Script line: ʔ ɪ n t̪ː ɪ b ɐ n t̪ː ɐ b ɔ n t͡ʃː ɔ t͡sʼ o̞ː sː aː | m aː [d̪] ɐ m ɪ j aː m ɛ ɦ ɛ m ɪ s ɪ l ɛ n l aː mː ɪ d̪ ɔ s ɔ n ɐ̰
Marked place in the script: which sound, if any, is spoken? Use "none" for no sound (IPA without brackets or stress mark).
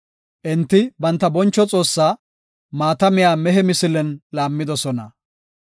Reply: t̪